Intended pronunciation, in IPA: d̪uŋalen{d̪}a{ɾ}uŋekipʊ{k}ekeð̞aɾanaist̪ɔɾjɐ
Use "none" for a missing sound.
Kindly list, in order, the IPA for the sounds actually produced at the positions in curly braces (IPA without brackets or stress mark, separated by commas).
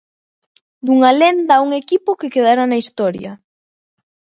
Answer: d̪, none, k